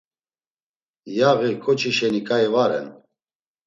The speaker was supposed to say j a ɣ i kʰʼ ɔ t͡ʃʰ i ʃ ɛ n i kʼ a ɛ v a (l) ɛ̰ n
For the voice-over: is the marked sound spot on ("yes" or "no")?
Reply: no